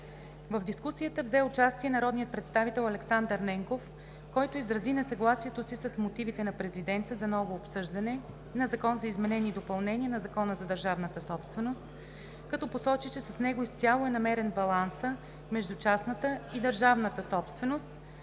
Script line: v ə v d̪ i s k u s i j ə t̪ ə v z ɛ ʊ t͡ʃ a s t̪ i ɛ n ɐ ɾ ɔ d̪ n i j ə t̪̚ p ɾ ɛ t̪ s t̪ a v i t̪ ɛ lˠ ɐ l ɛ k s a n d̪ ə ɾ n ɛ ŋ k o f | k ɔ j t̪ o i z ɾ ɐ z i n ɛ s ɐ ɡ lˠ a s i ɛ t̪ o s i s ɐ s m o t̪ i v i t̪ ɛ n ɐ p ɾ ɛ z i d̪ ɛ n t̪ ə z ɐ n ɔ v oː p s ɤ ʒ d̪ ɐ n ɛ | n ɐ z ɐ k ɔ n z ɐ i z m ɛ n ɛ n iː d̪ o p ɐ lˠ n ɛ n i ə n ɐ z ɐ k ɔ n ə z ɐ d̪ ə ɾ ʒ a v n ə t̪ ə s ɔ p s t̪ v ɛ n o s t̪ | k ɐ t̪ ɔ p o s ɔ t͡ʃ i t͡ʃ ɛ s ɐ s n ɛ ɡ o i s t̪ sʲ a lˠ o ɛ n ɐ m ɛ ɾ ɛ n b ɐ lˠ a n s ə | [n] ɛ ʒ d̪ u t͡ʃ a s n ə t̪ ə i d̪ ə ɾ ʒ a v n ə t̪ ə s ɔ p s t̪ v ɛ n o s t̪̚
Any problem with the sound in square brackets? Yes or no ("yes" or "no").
yes